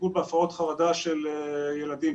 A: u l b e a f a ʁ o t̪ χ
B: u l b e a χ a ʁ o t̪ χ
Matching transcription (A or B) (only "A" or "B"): A